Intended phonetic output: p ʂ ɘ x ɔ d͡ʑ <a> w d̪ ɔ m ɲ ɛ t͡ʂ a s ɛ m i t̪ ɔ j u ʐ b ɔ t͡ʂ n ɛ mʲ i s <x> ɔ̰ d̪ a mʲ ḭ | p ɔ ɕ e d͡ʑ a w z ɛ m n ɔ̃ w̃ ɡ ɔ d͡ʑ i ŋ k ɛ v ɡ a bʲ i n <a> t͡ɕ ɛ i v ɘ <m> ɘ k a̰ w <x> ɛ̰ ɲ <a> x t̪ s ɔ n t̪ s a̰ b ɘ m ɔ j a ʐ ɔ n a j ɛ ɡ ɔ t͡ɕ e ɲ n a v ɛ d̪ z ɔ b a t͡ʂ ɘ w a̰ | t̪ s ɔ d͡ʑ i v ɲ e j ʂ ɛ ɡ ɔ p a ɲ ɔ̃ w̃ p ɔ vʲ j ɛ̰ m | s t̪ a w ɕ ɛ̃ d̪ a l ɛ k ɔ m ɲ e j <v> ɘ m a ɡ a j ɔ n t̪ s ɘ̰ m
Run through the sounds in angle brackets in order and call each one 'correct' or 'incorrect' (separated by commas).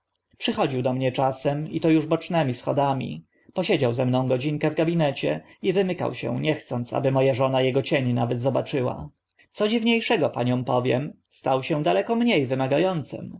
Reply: incorrect, correct, incorrect, correct, incorrect, incorrect, correct